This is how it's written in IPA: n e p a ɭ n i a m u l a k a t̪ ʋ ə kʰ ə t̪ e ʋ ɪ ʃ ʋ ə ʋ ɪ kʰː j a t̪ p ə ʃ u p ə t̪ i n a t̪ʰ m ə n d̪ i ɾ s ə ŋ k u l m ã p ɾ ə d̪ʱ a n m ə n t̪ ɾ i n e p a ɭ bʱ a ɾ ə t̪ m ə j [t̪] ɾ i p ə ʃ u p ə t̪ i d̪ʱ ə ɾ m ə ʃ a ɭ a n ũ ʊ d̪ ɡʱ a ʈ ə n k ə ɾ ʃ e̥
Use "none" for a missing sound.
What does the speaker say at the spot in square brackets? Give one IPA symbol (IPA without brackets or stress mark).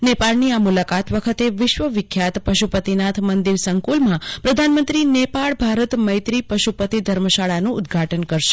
t̪